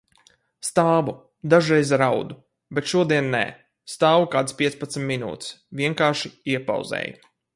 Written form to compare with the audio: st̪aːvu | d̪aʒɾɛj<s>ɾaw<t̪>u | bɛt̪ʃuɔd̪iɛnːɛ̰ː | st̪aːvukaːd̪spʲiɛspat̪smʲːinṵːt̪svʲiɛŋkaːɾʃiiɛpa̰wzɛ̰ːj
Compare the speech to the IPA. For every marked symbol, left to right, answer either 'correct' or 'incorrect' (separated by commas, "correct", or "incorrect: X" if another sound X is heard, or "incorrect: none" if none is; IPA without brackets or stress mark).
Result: incorrect: z, incorrect: d̪